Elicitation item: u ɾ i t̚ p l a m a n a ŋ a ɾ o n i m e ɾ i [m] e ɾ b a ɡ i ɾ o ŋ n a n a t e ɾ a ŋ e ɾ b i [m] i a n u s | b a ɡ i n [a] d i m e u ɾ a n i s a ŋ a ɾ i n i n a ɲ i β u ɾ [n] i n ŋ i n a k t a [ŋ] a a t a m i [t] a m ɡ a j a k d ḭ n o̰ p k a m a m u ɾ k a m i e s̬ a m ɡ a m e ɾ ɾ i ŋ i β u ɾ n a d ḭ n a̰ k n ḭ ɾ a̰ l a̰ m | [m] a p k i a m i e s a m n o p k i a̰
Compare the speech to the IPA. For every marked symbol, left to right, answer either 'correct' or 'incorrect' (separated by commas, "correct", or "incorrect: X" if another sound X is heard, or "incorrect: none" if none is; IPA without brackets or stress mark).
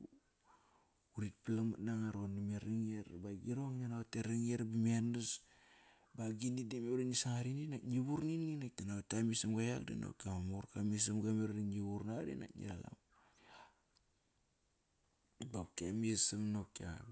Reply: incorrect: ŋ, correct, incorrect: i, correct, incorrect: n, incorrect: s, incorrect: b